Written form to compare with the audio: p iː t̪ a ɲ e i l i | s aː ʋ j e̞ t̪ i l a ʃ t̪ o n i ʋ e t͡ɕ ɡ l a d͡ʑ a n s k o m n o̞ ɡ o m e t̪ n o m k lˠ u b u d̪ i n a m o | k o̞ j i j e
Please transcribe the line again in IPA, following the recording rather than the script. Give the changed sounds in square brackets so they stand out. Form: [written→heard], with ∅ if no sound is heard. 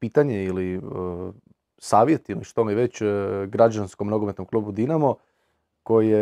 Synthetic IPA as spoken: p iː t̪ a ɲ e i l i | s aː ʋ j e̞ t̪ i l [a→i] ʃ t̪ o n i ʋ e t͡ɕ ɡ [l→ɾ] a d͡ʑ a n s k o m n o̞ ɡ o m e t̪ n o m k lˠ u b u d̪ i n a m o | k o̞ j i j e